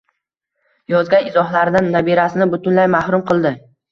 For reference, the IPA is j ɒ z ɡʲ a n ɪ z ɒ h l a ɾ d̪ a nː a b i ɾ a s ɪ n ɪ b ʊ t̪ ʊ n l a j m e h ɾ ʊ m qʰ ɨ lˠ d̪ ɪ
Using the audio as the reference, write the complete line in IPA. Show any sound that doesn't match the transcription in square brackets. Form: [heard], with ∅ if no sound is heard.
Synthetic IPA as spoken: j ɒ z ɡʲ a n ɪ z ɒ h l a ɾ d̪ a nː a b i ɾ a s ɪ n ɪ b ʊ t̪ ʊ n l a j m [a] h ɾ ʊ m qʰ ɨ lˠ d̪ ɪ